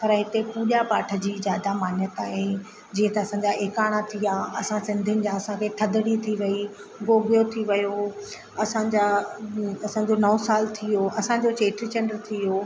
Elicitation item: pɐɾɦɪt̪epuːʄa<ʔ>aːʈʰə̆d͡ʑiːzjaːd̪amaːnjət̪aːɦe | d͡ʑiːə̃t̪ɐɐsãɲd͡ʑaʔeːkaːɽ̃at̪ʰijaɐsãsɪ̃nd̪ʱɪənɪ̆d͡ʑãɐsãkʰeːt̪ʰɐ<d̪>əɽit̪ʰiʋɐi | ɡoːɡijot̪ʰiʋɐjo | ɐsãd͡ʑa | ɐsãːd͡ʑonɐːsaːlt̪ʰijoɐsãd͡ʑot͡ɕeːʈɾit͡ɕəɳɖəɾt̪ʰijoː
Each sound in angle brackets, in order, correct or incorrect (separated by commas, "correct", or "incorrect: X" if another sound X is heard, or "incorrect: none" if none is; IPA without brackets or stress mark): incorrect: p, correct